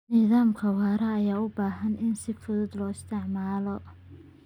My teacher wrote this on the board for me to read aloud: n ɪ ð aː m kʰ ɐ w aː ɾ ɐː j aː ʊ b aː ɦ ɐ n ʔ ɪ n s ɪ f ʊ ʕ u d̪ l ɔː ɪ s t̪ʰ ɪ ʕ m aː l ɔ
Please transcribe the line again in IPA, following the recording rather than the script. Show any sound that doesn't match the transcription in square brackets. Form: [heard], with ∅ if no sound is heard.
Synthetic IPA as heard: n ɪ ð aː m kʰ ɐ w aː ɾ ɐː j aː ʊ b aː ɦ ɐ n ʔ ɪ n s ɪ f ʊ [ð] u d̪ l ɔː ɪ s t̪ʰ ɪ ʕ m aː l ɔ